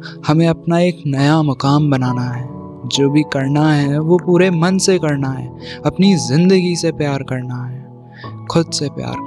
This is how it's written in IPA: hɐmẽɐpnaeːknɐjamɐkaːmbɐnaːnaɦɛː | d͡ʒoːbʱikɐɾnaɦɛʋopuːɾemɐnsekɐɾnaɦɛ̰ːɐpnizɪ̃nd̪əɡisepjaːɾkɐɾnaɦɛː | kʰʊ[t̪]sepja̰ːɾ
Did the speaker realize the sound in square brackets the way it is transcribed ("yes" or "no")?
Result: no